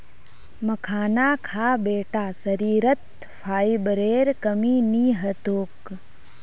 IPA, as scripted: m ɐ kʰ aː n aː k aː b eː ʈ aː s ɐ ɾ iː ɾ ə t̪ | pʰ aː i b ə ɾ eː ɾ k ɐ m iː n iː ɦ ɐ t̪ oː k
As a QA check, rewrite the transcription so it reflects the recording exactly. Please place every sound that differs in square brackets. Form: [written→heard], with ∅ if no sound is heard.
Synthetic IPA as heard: m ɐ kʰ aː n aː [k→kʰ] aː b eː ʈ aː s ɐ ɾ iː ɾ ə t̪ | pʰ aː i b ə ɾ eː ɾ k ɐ m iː n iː ɦ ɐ t̪ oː k

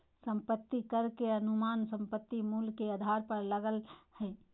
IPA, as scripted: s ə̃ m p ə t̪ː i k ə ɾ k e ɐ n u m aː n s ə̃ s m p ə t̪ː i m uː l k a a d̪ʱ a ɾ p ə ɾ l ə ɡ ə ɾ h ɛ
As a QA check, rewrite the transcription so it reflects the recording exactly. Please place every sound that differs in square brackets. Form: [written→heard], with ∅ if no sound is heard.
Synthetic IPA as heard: s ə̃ m p ə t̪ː i k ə ɾ k e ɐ n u m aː n s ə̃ [s→∅] m p ə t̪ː i m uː l k [a→e] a d̪ʱ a ɾ p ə ɾ l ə ɡ ə [ɾ→l] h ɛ

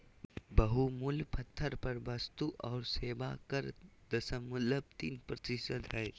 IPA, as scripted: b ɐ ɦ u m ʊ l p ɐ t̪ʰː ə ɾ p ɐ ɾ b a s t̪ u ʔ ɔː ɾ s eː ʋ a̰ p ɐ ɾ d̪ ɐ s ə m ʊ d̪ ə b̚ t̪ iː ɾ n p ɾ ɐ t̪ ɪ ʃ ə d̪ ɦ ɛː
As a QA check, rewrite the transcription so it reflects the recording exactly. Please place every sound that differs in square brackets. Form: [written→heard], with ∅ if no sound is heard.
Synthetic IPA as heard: b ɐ ɦ u m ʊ l p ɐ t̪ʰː ə ɾ p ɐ ɾ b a s t̪ u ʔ ɔː ɾ s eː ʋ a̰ [p→k] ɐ ɾ d̪ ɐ s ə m ʊ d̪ ə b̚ t̪ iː [ɾ→∅] n p ɾ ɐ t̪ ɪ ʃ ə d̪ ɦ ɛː

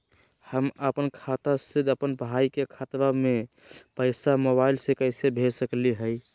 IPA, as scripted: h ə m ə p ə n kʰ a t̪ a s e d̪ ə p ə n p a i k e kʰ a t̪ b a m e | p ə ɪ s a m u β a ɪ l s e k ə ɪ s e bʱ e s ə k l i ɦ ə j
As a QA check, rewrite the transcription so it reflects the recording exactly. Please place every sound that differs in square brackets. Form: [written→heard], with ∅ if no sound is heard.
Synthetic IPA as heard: h ə m ə p ə n kʰ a t̪ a s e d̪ ə p ə n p a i k e kʰ a t̪ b a m e | p ə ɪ s a m [u→o] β a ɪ l s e k ə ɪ s e bʱ e s ə k l i ɦ ə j

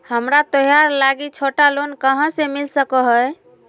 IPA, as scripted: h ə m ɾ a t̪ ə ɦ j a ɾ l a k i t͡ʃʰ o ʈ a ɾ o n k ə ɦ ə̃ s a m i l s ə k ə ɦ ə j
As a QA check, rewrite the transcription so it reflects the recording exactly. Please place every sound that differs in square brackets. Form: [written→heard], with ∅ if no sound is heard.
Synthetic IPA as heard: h ə m ɾ a t̪ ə ɦ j a ɾ l a [k→ɡ] i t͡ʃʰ o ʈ a [ɾ→l] o n k ə ɦ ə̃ s [a→e] m i l s ə k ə ɦ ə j

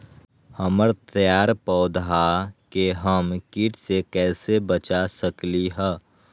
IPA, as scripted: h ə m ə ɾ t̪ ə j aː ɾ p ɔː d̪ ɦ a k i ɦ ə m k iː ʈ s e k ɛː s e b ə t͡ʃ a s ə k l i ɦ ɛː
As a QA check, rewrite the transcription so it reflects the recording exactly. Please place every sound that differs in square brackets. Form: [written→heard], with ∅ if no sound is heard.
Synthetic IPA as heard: h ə m ə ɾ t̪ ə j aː ɾ p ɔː d̪ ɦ a k [i→e] ɦ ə m k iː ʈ s e k ɛː s e b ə t͡ʃ a s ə k l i ɦ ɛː

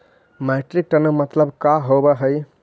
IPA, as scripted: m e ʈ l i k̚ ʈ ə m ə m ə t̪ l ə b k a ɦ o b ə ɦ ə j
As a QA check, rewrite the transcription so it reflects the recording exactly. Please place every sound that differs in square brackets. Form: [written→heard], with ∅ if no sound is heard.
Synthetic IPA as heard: m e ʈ [l→ɾ] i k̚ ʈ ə [m→n] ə m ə t̪ l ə b k a ɦ o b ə ɦ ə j

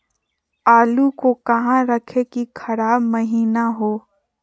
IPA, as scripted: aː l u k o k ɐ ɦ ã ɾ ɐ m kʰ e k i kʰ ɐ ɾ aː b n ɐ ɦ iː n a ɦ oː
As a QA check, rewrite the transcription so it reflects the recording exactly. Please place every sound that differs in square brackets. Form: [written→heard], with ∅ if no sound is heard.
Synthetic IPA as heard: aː l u k o k ɐ ɦ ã ɾ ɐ [m→∅] kʰ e k i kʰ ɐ ɾ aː b [n→m] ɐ ɦ iː n a ɦ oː

